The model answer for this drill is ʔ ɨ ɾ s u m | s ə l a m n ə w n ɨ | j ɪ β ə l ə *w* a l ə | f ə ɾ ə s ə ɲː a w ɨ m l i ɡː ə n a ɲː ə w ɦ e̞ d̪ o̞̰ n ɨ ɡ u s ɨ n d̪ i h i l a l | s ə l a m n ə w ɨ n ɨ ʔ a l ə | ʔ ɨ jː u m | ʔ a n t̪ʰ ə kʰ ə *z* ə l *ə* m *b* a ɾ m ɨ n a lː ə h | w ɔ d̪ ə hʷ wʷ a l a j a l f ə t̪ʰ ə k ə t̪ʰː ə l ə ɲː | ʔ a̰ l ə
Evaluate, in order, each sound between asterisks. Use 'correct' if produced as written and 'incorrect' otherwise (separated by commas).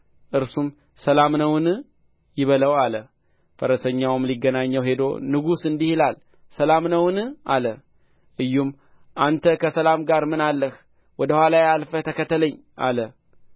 correct, incorrect, incorrect, incorrect